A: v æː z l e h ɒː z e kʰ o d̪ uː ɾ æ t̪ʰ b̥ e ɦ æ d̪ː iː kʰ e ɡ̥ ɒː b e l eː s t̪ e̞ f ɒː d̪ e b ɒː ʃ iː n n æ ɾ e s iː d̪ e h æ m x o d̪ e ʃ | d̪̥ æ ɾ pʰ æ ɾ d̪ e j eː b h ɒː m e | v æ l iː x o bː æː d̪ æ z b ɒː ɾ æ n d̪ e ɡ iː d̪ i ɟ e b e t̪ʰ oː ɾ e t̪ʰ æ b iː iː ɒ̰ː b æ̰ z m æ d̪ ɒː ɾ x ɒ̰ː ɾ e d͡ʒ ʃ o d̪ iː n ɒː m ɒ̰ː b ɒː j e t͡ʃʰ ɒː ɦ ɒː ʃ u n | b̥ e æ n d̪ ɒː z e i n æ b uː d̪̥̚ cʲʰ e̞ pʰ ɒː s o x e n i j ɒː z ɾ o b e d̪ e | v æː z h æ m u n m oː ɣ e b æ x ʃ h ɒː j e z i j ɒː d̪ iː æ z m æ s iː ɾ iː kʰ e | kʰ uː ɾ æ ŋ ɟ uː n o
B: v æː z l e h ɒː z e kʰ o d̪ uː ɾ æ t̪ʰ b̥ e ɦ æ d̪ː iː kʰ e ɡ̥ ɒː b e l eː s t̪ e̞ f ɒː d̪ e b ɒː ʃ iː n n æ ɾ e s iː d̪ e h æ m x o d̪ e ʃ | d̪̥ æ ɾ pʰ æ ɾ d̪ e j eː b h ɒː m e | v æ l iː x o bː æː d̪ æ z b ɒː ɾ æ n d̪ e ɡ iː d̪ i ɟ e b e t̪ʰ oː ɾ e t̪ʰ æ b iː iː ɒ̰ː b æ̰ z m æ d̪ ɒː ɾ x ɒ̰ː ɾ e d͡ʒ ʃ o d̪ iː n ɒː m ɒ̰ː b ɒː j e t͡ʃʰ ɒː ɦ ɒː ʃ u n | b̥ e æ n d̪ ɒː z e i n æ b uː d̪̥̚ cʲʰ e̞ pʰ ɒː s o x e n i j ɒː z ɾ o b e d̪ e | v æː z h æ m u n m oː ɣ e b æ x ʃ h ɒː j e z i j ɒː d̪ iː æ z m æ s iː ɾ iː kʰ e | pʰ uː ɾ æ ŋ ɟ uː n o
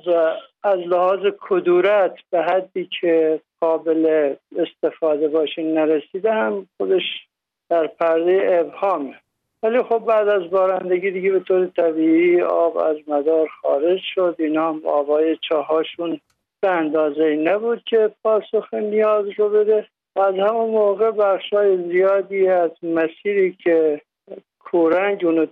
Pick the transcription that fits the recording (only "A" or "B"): A